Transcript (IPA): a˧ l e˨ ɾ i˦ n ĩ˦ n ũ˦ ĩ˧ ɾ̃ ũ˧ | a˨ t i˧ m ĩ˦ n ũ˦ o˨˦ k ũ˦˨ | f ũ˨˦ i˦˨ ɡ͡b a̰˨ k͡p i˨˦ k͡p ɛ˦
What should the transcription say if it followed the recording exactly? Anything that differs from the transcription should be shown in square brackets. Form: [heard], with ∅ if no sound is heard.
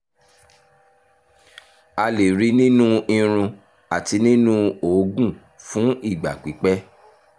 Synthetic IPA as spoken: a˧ l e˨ ɾ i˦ n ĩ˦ n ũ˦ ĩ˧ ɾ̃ ũ˧ | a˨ t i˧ [n] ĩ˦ n ũ˦ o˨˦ [ɡ] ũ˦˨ | f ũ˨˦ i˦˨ ɡ͡b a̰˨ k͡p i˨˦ k͡p ɛ˦